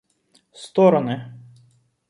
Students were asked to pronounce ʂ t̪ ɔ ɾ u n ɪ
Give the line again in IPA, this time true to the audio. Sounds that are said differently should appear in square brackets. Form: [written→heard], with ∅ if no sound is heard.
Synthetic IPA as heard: [ʂ→s] t̪ ɔ ɾ [u→ɔ] n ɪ